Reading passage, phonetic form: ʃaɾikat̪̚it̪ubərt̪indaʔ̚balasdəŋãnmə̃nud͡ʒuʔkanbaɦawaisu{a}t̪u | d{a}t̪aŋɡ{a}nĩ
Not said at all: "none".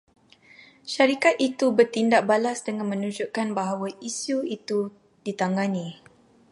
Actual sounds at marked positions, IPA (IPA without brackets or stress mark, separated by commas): i, i, a